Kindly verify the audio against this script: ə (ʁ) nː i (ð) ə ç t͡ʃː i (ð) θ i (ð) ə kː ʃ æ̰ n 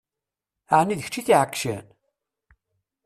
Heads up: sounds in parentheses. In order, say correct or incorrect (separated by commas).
incorrect, correct, incorrect, incorrect